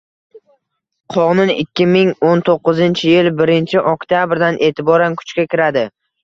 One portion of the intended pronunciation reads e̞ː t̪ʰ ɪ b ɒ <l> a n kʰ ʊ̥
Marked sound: incorrect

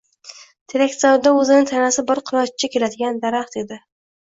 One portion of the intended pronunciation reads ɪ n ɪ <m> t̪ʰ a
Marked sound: incorrect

